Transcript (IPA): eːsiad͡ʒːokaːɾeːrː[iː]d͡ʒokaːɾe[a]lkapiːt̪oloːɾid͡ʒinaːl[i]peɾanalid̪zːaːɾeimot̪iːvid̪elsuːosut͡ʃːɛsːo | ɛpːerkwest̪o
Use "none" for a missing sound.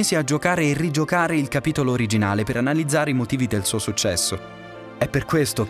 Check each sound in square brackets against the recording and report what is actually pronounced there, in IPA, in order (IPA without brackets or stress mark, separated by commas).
i, i, e